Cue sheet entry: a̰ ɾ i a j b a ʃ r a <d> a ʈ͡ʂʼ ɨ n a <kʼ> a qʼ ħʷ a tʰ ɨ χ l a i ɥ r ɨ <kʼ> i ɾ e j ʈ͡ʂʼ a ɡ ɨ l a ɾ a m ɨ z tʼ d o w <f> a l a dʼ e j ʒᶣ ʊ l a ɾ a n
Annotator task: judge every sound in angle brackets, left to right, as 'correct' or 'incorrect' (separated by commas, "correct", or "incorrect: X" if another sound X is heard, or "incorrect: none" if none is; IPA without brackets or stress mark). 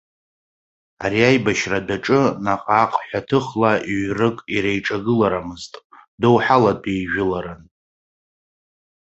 correct, incorrect: qʼ, correct, incorrect: ħ